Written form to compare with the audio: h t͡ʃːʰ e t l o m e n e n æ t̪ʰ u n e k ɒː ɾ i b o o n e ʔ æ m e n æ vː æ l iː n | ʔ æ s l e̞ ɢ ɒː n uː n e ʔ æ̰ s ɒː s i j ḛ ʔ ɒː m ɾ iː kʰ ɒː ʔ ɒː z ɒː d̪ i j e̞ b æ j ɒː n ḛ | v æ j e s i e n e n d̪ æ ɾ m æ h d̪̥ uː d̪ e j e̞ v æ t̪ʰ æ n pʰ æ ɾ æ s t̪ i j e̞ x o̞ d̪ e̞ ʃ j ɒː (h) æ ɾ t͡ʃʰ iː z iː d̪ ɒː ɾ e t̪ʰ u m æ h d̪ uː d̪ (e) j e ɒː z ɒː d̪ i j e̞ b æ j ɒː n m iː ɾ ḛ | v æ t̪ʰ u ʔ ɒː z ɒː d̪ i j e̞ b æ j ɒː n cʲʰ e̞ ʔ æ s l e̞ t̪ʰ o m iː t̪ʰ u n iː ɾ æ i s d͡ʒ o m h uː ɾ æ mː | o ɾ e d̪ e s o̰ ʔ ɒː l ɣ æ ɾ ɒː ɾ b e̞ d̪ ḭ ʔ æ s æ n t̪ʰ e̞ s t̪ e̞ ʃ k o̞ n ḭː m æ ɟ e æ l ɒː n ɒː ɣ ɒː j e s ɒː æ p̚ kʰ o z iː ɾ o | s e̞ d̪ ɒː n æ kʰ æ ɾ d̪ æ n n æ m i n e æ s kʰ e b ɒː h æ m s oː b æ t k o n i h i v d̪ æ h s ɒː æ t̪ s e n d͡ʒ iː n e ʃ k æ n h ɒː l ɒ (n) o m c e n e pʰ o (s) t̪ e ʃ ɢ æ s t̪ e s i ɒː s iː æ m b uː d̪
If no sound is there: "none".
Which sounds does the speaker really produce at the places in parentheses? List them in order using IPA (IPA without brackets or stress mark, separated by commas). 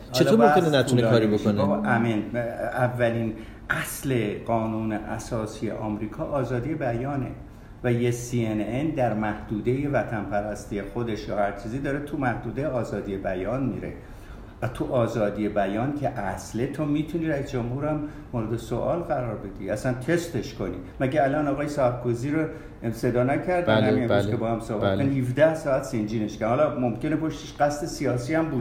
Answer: h, e, m, ʃ